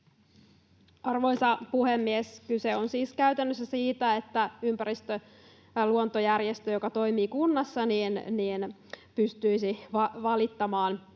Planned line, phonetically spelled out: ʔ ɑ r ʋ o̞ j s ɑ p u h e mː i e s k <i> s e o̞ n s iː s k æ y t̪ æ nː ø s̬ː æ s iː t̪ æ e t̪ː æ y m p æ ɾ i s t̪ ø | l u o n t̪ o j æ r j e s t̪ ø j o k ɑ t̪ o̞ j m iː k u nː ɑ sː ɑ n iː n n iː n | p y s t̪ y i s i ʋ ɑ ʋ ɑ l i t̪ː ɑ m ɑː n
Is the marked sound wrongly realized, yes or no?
yes